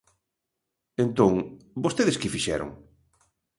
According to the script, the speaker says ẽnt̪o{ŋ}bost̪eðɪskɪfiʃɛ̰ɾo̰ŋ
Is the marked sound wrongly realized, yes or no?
no